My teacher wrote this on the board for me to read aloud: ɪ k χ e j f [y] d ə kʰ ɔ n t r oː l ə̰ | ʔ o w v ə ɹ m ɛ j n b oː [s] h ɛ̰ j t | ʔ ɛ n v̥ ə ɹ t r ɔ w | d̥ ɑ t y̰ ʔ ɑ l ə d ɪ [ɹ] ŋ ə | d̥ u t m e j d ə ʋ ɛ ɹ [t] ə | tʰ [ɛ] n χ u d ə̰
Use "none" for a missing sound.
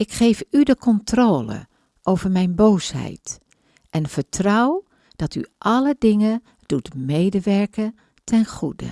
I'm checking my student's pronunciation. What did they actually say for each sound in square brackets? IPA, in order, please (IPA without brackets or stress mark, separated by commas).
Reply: y, s, none, k, ɛ